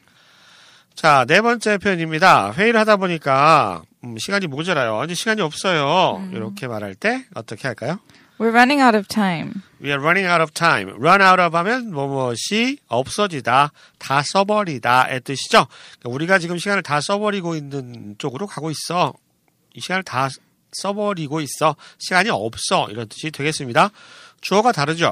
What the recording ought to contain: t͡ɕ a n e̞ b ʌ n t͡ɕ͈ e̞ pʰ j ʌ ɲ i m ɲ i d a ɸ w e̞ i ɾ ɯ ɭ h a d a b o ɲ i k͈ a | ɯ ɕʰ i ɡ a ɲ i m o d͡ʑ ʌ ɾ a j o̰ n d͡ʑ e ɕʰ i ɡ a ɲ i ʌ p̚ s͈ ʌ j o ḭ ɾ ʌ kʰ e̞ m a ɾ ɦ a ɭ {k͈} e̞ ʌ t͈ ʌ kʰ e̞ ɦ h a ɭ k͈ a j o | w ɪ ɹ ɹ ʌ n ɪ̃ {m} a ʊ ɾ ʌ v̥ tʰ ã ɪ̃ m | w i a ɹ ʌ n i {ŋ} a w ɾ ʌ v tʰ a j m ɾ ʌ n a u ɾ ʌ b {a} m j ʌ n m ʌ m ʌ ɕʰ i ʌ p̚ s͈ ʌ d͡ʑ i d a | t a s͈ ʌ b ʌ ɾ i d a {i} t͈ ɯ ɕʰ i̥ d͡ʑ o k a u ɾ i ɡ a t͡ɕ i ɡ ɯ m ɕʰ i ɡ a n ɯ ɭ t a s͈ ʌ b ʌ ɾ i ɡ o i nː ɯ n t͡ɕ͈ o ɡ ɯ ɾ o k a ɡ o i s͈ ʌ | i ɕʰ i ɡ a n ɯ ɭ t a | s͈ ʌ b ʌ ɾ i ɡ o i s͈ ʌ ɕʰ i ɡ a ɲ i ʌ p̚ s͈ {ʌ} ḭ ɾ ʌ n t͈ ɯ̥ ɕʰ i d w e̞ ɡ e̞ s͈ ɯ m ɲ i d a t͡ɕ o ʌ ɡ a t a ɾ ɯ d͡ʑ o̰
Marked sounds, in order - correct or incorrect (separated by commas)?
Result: incorrect, incorrect, correct, correct, incorrect, correct